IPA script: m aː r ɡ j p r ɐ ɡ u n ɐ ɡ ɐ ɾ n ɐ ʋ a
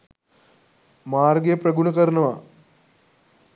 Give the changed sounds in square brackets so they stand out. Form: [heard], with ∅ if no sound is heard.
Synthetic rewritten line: m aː r ɡ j p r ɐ ɡ u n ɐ [k] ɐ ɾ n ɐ ʋ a